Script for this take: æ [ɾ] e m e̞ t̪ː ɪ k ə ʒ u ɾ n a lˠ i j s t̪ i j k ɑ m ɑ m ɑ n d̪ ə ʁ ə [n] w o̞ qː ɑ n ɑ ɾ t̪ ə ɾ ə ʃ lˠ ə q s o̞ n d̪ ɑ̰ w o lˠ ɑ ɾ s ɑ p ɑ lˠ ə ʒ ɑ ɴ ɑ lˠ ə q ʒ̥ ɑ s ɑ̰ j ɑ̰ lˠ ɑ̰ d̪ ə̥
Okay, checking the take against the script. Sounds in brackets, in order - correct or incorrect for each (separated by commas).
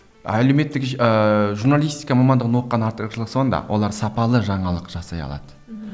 incorrect, correct